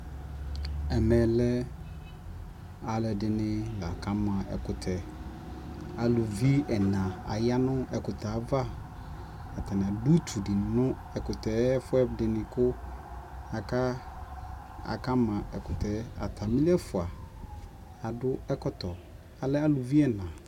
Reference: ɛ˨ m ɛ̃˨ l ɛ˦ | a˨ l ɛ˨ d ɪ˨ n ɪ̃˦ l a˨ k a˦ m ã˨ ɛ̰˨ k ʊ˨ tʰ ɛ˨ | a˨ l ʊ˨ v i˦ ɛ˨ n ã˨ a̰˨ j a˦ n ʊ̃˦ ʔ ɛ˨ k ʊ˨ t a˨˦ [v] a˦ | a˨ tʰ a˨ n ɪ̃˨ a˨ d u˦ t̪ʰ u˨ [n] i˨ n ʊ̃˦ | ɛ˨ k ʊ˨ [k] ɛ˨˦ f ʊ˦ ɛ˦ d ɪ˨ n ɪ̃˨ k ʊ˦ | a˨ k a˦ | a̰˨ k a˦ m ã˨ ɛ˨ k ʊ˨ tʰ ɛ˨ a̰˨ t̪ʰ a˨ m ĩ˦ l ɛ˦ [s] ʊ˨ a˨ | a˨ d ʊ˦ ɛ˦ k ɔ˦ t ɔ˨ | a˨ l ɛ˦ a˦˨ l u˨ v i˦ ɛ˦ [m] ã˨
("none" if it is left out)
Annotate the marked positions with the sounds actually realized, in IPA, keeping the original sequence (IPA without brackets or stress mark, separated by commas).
v, d, t, f, n